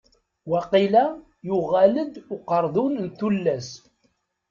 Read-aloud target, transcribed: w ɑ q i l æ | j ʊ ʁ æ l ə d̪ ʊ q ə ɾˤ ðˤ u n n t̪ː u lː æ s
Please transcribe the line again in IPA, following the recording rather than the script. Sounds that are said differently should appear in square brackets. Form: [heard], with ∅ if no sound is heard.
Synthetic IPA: w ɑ q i l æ | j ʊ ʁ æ l ə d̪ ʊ q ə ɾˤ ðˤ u n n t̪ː u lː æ s